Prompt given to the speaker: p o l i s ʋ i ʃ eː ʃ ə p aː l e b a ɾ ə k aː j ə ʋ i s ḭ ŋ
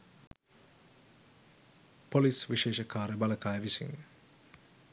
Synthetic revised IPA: p o l i s ʋ i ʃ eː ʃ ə k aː ɾ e b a l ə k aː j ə ʋ i s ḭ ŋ